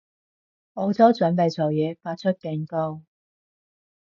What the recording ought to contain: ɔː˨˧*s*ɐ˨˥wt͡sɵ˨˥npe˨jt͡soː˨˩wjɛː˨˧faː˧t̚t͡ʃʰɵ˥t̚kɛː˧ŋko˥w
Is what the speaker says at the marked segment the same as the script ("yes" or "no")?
no